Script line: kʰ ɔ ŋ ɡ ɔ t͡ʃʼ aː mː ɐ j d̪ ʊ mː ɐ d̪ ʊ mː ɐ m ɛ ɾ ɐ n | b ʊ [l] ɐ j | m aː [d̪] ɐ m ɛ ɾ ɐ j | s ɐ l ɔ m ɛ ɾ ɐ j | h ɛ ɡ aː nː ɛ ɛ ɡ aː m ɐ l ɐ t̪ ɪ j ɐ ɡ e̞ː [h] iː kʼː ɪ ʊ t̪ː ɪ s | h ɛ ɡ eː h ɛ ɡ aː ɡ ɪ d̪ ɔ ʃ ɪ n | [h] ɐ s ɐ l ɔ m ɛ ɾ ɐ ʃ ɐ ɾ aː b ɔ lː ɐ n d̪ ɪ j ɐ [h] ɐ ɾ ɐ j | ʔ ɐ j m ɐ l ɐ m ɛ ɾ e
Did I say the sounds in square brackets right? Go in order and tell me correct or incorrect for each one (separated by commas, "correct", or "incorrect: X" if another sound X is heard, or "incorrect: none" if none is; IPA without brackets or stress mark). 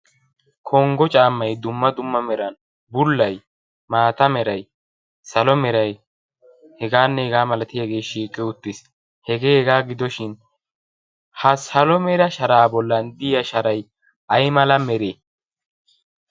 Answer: incorrect: lː, incorrect: t̪, incorrect: ʃ, correct, incorrect: ʃ